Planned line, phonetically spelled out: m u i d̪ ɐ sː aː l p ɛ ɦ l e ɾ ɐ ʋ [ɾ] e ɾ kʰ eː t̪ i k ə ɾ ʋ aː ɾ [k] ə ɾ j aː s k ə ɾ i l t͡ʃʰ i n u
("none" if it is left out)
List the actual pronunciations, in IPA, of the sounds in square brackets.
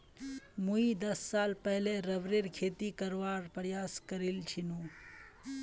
ɾ, p

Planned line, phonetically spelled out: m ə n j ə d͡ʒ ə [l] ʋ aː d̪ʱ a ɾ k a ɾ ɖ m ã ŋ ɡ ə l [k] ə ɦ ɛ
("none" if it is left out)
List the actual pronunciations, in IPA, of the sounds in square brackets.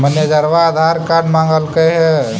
ɾ, k

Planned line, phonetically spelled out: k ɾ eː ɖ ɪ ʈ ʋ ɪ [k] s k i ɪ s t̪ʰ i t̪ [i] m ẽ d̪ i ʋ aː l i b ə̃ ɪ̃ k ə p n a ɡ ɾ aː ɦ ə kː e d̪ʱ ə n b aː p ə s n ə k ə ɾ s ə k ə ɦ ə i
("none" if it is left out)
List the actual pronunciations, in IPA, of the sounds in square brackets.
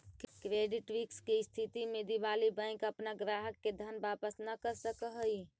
k, i

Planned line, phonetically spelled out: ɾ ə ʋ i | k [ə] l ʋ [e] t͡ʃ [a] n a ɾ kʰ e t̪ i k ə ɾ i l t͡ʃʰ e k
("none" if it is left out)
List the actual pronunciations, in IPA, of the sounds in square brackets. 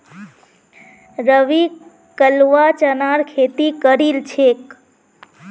ə, a, ə

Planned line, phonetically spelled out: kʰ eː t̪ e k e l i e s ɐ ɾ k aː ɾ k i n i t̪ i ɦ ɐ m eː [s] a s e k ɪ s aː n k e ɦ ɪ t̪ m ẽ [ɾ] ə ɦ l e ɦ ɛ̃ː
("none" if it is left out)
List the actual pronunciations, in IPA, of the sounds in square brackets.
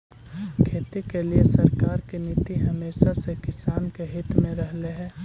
ʃ, ɾ

